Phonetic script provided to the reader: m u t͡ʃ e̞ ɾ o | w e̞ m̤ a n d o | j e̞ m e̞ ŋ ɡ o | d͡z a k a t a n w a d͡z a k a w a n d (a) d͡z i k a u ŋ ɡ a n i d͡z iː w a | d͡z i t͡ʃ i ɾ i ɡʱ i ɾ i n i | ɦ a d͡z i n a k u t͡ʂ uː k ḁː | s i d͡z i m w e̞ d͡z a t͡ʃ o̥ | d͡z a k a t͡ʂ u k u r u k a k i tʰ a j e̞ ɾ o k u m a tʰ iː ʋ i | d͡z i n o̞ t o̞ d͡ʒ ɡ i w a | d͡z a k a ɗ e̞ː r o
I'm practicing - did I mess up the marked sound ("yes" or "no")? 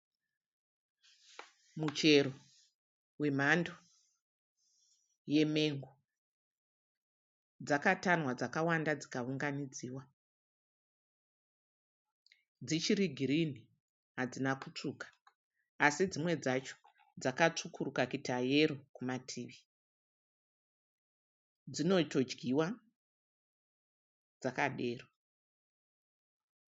no